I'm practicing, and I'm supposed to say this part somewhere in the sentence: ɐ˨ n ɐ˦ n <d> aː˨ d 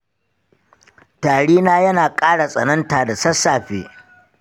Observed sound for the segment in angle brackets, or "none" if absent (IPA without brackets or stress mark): t